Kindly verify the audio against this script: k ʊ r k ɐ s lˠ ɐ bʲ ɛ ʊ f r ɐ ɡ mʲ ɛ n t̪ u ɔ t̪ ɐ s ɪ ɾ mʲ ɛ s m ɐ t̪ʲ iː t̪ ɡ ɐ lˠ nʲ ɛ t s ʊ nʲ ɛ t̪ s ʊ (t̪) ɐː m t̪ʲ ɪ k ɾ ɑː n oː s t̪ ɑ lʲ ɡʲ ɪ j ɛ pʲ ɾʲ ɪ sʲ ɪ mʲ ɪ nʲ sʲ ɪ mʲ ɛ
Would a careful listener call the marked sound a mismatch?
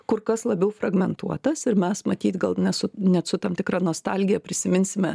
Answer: no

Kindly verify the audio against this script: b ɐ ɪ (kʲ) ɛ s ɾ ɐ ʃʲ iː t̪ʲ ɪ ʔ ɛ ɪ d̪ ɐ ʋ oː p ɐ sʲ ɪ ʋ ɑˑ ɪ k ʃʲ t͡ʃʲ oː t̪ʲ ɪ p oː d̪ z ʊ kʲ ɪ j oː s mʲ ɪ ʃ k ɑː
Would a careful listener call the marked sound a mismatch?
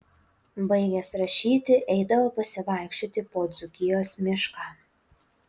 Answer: yes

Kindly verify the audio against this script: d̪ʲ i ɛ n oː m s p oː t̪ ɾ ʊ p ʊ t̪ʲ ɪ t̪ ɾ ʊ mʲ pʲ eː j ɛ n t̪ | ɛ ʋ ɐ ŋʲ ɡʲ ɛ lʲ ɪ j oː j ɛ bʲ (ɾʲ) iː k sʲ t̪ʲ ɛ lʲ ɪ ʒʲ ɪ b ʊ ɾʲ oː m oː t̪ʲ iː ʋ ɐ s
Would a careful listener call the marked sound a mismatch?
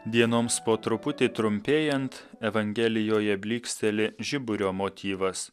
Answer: yes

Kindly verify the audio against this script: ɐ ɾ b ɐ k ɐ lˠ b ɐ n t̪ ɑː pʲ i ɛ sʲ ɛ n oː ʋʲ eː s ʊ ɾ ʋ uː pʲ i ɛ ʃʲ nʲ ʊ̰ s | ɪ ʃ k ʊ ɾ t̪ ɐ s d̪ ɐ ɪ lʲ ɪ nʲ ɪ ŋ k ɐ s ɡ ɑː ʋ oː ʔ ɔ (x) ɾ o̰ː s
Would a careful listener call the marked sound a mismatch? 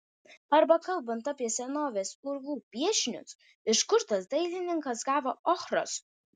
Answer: no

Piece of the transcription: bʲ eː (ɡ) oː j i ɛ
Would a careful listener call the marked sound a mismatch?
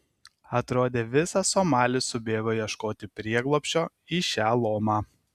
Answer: no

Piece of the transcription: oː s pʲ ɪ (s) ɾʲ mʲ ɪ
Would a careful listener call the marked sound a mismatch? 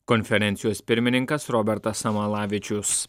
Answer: yes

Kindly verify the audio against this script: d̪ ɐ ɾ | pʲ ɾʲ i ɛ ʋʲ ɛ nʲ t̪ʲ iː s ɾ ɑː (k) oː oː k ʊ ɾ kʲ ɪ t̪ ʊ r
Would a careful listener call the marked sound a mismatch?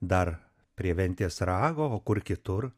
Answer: yes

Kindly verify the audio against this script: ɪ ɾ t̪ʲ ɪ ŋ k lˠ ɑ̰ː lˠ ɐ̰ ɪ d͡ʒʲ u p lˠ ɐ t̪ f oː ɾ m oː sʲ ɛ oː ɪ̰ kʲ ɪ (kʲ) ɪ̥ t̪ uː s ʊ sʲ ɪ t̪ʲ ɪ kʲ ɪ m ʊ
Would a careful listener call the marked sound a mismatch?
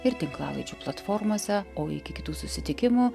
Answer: no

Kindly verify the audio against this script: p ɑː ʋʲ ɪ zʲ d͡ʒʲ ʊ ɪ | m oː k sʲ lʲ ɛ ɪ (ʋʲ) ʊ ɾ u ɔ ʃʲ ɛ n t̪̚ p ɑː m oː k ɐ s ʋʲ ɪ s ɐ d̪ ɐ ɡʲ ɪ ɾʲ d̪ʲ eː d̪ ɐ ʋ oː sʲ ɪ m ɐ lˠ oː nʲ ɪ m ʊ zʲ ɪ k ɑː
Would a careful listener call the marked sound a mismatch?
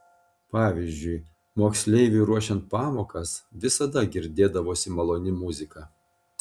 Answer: no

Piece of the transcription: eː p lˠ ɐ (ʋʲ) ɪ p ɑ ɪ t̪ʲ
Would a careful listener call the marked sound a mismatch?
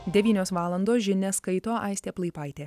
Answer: yes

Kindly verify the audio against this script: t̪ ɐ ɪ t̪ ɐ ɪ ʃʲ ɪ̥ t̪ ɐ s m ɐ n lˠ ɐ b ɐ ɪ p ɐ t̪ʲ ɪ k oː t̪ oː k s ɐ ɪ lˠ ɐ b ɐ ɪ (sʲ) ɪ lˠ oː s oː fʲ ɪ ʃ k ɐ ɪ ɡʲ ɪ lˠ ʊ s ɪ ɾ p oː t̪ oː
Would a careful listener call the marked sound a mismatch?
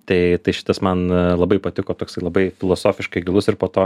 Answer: yes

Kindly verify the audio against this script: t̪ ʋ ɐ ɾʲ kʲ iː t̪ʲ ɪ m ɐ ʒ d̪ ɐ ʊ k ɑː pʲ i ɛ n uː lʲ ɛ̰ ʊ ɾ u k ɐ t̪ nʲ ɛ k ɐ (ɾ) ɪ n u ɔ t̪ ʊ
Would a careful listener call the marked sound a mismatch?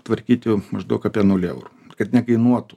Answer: yes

